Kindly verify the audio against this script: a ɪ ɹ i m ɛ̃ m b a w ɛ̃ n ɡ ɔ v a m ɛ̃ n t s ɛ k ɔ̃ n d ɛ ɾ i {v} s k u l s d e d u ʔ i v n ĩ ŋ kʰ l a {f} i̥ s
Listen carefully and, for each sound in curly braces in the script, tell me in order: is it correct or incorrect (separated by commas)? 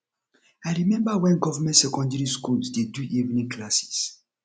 incorrect, incorrect